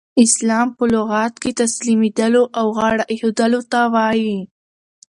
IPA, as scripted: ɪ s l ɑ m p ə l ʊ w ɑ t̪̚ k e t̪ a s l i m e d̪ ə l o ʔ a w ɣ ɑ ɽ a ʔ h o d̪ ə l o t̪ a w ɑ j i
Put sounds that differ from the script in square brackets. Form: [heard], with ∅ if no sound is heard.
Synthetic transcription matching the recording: ɪ s l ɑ m p ə l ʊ [ɣ] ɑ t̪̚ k e t̪ a s l i m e d̪ ə l o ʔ a w ɣ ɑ ɽ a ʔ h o d̪ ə l o t̪ a w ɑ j i